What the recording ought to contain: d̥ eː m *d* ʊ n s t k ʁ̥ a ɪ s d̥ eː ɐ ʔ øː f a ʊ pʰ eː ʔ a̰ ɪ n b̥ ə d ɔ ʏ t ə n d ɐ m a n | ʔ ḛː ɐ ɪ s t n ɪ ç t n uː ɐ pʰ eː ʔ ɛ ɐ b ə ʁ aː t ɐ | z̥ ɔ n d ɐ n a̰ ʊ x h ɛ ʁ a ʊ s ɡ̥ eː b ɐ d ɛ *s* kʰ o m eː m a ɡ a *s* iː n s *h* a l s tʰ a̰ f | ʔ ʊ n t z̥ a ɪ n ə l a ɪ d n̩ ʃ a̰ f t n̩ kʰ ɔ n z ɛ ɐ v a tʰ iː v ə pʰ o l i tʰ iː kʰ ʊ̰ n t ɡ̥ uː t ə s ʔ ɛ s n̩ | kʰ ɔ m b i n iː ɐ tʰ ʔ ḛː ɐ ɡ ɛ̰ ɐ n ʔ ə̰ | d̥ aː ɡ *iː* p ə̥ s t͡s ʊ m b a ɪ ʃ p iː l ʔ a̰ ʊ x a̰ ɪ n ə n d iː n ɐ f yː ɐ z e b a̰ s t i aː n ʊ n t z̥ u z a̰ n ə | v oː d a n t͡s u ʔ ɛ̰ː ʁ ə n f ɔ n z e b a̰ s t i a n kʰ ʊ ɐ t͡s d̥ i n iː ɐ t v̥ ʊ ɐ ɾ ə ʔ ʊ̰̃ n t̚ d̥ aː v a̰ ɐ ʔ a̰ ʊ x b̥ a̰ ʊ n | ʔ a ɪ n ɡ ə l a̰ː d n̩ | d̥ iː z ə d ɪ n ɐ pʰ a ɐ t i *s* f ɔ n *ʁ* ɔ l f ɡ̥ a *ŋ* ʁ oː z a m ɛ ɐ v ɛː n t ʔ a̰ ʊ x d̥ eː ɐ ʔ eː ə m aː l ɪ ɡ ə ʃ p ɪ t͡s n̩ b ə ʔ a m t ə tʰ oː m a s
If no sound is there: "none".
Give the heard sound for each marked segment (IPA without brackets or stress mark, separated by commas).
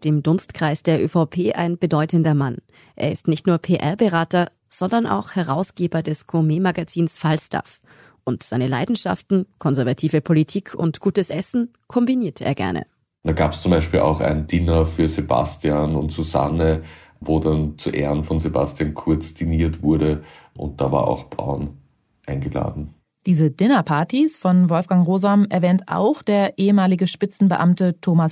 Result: d, s, t͡s, f, aː, s, v, ŋ